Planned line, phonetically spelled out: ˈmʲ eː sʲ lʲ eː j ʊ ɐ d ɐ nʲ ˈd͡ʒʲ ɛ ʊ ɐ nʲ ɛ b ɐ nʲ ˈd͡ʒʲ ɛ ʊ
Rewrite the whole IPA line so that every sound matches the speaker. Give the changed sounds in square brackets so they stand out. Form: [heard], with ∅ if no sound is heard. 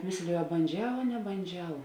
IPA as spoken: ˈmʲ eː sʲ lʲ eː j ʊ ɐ [b] ɐ nʲ ˈd͡ʒʲ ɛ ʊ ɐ nʲ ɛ b ɐ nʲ ˈd͡ʒʲ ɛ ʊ

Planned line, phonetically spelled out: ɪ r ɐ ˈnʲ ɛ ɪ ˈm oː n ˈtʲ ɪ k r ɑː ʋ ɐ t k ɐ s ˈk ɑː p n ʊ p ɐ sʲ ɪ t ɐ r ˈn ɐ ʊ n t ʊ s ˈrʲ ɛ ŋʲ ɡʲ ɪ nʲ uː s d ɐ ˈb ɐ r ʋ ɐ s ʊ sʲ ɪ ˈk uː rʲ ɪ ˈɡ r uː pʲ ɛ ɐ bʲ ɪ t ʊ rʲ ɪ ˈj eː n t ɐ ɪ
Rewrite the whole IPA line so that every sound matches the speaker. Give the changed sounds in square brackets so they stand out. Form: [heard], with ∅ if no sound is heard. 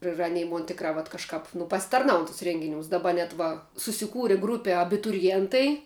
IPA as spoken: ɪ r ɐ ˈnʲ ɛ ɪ ˈm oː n ˈtʲ ɪ k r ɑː ʋ ɐ t k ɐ [ʃ] ˈk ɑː p n ʊ p ɐ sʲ ɪ t ɐ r ˈn ɐ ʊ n t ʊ s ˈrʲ ɛ ŋʲ ɡʲ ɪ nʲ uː s d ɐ ˈb ɐ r ʋ ɐ s ʊ sʲ ɪ ˈk uː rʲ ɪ ˈɡ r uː pʲ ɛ ɐ bʲ ɪ t ʊ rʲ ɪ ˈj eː n t ɐ ɪ

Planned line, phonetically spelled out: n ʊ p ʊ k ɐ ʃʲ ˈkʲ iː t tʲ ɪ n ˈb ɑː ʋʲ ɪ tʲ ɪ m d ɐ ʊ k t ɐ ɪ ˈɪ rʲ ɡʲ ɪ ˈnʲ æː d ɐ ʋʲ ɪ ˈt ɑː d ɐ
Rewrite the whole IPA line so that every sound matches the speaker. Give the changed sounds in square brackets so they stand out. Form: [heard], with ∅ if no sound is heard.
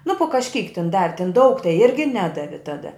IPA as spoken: n ʊ p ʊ k ɐ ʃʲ ˈkʲ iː [k] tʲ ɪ n [ˈd] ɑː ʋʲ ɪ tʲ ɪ [n] d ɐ ʊ k t ɐ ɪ ˈɪ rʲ ɡʲ ɪ ˈnʲ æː d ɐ ʋʲ ɪ ˈt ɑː d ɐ

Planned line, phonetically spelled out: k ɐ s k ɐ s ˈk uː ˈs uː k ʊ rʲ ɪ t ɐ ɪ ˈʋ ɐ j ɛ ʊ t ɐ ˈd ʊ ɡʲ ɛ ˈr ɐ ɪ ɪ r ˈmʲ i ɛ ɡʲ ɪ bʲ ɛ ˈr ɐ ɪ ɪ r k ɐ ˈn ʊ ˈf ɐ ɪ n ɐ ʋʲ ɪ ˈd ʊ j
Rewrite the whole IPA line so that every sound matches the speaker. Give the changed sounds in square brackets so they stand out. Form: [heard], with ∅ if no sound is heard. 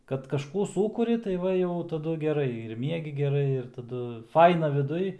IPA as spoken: k ɐ [t] k ɐ [ʃ] ˈk uː ˈs uː k ʊ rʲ ɪ t ɐ ɪ ˈʋ ɐ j ɛ ʊ t ɐ ˈd ʊ ɡʲ ɛ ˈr ɐ ɪ ɪ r ˈmʲ i ɛ ɡʲ ɪ [ɡʲ] ɛ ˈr ɐ ɪ ɪ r [t] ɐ [ˈd] ʊ ˈf ɐ ɪ n ɐ ʋʲ ɪ ˈd ʊ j

